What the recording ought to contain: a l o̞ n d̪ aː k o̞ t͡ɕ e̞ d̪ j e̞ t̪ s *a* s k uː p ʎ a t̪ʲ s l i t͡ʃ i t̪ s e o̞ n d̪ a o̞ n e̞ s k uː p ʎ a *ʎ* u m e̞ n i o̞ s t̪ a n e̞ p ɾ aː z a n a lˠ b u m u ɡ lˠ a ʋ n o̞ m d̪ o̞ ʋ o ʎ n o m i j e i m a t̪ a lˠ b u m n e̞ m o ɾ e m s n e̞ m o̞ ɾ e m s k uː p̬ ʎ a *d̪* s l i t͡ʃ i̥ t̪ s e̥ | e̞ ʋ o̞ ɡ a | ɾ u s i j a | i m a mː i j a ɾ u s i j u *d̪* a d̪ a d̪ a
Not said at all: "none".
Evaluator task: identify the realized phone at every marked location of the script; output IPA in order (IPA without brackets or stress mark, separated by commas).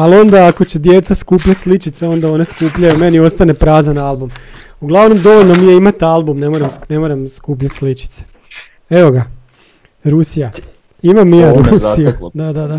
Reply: a, j, t̪, d̪